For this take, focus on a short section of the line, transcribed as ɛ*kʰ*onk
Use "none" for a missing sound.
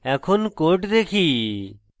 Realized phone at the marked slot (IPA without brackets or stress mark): kʰ